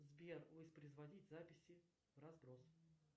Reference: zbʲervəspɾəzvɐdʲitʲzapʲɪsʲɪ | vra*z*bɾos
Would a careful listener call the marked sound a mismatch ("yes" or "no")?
no